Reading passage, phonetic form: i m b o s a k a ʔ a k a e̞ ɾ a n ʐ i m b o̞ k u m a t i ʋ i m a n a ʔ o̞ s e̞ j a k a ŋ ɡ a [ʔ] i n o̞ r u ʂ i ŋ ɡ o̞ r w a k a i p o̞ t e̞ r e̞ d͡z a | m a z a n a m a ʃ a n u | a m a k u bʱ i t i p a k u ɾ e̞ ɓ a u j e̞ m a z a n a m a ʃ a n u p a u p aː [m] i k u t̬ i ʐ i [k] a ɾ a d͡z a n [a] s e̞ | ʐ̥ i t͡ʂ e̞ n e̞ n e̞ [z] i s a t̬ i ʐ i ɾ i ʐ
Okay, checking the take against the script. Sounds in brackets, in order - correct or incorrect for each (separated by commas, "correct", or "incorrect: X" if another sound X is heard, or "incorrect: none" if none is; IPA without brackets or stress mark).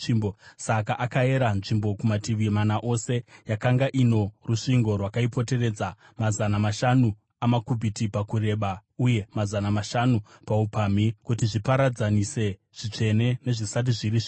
correct, correct, incorrect: p, incorrect: i, incorrect: ʐ